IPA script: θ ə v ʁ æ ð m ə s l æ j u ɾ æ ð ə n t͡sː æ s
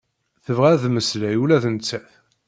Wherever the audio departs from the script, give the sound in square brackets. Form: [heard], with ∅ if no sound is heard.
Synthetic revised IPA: θ ə v ʁ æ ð m ə s l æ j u [l] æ [θ] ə n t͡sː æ [θ]